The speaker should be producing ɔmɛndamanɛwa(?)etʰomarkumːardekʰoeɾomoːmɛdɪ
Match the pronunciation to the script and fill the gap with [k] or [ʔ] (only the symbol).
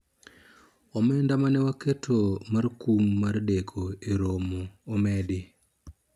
k